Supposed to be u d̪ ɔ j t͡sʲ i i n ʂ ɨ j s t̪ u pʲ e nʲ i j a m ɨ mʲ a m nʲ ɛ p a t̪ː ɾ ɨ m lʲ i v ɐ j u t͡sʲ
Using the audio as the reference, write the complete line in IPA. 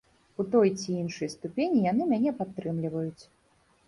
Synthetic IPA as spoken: u t̪ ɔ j t͡sʲ i i n ʂ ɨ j s t̪ u pʲ e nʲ i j a n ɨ mʲ a nʲ ɛ p a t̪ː ɾ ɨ m lʲ i v ɐ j u t͡sʲ